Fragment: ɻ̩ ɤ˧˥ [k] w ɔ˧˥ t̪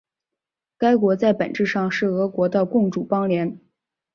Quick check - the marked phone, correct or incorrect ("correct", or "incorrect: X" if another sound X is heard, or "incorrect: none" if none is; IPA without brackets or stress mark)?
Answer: correct